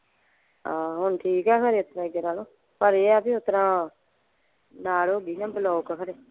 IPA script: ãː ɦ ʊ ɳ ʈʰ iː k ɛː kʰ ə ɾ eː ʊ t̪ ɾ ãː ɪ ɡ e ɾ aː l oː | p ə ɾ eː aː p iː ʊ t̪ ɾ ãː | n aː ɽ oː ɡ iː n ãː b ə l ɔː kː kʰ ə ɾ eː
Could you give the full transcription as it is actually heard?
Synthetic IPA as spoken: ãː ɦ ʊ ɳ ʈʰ iː k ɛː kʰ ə ɾ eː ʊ t̪ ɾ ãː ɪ ɡ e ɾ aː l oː | p ə ɾ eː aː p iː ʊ t̪ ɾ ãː | n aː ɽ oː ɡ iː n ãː b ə l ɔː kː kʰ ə ɾ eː